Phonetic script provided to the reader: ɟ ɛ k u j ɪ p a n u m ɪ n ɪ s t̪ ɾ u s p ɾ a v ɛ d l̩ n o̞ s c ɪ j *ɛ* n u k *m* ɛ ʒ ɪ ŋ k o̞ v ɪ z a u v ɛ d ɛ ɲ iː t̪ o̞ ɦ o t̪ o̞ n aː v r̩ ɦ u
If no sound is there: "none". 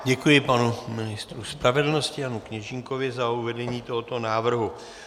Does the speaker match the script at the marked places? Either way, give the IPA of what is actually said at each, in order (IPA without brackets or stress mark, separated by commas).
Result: a, ɲ